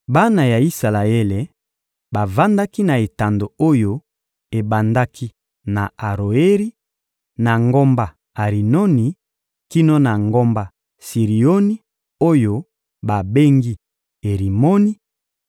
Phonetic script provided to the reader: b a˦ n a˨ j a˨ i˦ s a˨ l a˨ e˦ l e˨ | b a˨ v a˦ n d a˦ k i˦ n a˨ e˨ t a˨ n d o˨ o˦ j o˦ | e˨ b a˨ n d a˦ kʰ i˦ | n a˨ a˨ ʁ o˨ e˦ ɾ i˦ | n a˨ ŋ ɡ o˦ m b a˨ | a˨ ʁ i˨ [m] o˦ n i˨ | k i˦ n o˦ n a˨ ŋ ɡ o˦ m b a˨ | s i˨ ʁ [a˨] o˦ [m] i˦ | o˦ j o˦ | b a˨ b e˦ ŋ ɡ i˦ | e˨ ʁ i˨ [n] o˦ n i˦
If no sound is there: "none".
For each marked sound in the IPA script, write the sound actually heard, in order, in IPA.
n, i˨, n, m

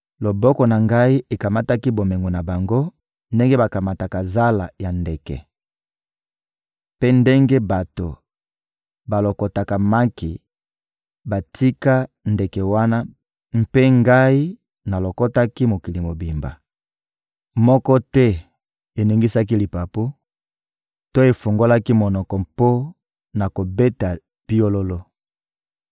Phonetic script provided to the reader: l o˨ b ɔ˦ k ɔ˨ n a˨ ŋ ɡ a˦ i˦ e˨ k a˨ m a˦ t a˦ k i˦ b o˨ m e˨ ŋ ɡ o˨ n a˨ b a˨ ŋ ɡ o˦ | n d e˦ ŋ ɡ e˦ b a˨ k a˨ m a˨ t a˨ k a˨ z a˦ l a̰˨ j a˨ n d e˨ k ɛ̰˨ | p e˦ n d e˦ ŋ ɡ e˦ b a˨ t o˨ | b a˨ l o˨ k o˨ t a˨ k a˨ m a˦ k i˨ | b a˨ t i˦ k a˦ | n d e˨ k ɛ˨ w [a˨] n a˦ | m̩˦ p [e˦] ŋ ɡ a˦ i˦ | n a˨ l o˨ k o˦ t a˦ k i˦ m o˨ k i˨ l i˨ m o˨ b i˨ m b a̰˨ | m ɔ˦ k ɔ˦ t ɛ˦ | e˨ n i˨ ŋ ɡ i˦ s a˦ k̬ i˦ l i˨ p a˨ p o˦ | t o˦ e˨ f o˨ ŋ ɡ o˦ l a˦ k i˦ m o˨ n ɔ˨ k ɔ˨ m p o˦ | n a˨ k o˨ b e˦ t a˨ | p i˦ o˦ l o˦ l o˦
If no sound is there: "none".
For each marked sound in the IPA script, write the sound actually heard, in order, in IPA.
a˦, e˦

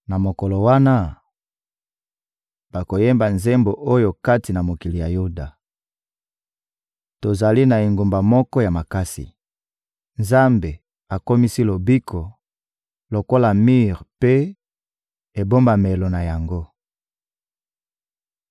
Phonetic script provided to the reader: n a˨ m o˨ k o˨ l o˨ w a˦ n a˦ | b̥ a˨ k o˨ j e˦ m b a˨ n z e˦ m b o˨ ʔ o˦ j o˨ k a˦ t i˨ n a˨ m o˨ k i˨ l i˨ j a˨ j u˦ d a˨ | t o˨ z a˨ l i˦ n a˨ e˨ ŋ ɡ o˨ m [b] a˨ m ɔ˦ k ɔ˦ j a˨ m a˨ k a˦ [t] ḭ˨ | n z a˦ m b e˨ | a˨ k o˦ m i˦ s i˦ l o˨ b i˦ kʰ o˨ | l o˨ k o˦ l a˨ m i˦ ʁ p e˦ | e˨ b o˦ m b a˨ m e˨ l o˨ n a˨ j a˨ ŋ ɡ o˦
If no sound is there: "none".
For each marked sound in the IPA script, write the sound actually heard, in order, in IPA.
b, s

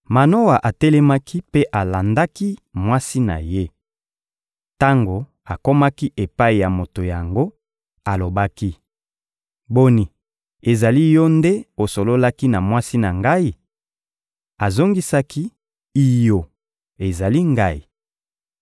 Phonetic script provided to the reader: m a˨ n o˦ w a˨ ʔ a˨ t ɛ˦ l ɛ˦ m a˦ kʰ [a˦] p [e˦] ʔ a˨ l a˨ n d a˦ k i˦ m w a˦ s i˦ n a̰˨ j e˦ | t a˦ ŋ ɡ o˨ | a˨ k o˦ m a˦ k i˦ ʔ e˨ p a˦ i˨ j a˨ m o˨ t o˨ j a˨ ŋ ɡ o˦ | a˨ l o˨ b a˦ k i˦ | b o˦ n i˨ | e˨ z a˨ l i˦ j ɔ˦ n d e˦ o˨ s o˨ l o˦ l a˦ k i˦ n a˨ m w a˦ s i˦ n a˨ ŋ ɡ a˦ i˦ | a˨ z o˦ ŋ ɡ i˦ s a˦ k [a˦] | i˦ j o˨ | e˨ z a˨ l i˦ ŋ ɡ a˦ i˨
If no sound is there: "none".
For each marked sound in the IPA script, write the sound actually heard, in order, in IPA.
i˦, e˦, i˦

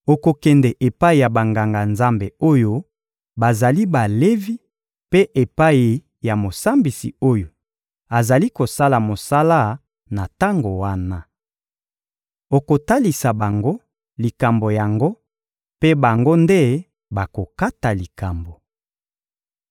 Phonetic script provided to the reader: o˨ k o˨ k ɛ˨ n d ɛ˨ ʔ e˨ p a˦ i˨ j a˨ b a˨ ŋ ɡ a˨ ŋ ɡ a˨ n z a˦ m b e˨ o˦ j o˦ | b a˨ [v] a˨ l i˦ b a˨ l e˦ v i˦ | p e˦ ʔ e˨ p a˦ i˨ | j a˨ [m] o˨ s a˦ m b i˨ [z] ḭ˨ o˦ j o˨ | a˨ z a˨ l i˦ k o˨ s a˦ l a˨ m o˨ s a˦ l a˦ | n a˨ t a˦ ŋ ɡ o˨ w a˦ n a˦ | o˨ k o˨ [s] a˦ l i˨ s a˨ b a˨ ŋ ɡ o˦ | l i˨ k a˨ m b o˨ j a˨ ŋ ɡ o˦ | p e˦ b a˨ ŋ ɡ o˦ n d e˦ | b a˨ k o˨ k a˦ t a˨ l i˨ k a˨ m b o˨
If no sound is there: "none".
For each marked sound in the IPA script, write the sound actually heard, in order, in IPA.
z, m, s, t

